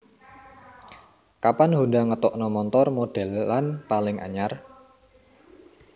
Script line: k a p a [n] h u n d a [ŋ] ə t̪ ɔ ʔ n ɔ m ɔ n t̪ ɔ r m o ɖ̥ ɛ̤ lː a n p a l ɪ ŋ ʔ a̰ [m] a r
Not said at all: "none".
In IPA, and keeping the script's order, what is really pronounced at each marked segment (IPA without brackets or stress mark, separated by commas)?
n, ŋ, ɲ